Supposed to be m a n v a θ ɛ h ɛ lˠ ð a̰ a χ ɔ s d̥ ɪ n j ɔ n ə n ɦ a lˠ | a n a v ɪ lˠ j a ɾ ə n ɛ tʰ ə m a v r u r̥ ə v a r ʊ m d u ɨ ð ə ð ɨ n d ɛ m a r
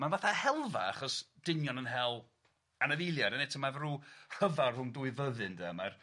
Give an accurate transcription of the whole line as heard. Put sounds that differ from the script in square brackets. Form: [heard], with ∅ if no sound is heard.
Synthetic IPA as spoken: m a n v a θ [a] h ɛ lˠ [v] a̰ a χ ɔ s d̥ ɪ n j ɔ n ə n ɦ [ɛ] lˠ | a n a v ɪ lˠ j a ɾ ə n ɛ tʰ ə m a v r u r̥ ə v a r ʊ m d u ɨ [v] ə ð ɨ n d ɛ m a r